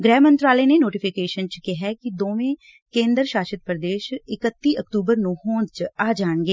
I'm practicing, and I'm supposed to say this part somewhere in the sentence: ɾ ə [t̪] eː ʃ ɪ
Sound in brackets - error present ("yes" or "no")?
yes